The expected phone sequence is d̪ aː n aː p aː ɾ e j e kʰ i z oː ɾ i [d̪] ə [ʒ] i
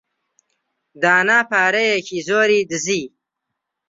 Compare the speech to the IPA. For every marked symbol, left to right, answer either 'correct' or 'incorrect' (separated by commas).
correct, incorrect